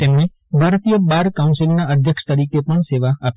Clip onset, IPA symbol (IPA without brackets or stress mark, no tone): t̪